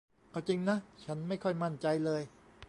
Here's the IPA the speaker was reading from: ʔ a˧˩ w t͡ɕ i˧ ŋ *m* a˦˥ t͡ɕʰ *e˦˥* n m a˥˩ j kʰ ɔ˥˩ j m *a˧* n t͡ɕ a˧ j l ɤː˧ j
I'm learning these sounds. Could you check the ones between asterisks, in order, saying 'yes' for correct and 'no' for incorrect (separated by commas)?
no, no, no